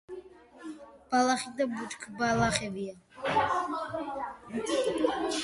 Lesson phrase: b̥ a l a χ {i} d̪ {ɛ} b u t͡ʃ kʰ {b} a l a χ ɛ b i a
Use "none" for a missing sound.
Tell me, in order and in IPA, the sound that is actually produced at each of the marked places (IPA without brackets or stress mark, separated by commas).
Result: i, a, b